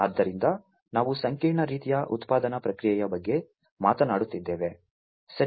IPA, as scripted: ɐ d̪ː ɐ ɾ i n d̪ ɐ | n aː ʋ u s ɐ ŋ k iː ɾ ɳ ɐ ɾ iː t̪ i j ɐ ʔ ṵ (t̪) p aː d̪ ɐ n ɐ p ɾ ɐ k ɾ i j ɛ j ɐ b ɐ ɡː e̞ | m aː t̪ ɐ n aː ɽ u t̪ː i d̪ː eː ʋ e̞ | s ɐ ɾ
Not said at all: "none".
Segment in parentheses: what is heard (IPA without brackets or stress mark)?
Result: t̪